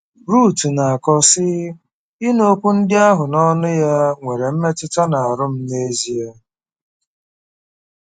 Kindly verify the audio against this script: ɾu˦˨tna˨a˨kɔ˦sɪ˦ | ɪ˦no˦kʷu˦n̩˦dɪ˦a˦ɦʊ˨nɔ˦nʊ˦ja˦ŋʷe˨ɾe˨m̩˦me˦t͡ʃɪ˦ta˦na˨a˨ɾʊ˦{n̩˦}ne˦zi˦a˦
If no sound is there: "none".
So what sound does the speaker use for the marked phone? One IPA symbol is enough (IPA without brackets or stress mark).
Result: m̩˦